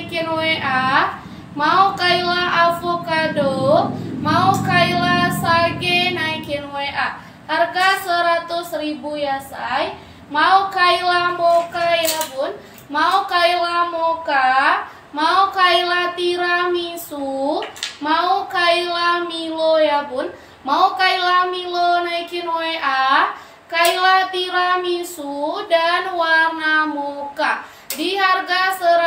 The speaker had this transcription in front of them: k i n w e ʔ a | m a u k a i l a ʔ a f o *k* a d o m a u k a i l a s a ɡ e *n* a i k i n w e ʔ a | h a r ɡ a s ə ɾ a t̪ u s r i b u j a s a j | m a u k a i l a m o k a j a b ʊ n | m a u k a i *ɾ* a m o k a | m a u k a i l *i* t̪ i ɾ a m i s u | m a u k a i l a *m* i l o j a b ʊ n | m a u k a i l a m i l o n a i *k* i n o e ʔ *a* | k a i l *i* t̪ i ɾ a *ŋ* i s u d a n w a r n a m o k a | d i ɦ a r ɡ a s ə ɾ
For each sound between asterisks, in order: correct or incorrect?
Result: correct, correct, incorrect, incorrect, correct, correct, correct, incorrect, incorrect

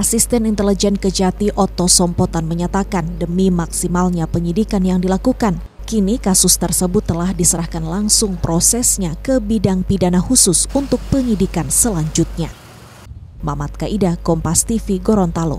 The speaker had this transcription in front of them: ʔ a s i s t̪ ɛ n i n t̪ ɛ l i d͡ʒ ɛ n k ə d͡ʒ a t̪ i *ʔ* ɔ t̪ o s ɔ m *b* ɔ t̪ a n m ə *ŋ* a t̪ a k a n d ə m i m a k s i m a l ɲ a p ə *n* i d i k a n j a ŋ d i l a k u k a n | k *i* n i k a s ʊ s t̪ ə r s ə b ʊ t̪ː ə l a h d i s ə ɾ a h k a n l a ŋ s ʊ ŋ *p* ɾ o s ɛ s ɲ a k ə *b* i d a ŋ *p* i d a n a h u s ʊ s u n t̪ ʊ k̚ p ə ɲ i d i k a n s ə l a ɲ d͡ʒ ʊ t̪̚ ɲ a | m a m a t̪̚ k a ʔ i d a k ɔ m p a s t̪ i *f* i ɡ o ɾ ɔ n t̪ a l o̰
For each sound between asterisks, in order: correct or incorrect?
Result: correct, incorrect, incorrect, incorrect, correct, correct, correct, correct, correct

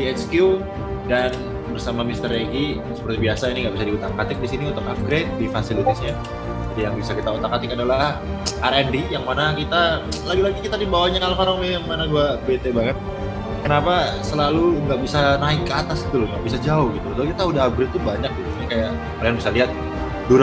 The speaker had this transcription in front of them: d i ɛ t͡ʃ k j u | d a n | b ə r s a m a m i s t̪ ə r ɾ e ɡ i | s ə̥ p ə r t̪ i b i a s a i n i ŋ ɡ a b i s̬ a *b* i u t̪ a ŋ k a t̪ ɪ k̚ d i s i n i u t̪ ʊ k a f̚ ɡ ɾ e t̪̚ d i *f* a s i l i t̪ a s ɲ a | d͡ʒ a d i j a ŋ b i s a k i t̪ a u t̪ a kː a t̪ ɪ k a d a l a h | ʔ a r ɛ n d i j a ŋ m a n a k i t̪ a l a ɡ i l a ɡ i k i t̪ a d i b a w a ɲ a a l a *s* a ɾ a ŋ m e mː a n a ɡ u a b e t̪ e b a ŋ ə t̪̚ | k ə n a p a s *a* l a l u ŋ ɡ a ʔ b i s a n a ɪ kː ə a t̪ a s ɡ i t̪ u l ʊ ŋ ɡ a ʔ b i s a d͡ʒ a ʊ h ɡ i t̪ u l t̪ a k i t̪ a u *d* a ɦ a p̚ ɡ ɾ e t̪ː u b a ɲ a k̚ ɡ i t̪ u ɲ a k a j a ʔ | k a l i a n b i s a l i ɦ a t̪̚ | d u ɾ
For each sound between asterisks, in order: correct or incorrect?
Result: incorrect, correct, incorrect, incorrect, correct

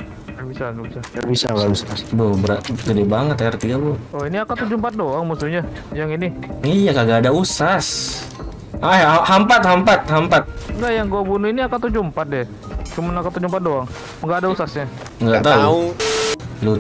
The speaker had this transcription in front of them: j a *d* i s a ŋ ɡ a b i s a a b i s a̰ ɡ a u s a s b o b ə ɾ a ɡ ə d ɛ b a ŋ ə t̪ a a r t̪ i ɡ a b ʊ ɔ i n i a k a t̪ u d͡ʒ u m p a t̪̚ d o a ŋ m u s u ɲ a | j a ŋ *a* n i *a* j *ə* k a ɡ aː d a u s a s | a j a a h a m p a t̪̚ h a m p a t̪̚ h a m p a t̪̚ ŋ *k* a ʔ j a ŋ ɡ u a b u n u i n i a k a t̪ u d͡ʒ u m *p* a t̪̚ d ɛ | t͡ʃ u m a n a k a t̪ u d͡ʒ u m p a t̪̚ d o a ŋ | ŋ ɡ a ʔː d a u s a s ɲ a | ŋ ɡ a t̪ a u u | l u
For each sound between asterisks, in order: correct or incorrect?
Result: incorrect, incorrect, incorrect, incorrect, incorrect, correct

